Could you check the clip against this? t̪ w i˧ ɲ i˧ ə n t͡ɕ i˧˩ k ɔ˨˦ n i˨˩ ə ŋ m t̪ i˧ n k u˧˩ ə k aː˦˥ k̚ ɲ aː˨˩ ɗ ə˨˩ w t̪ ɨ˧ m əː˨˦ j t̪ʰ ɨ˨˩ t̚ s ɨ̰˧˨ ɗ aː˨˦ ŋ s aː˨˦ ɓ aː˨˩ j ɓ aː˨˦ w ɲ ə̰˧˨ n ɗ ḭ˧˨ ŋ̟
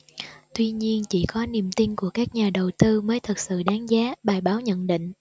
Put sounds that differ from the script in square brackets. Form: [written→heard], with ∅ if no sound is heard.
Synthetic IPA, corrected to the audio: t̪ w i˧ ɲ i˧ ə n t͡ɕ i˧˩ k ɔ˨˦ n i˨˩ ə [ŋ→∅] m t̪ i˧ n k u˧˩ ə k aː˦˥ k̚ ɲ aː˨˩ ɗ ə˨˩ w t̪ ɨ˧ m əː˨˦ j t̪ʰ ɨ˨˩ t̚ s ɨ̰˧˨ ɗ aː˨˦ ŋ [s→z] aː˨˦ ɓ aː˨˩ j ɓ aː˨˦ w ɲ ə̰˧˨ n ɗ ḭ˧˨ ŋ̟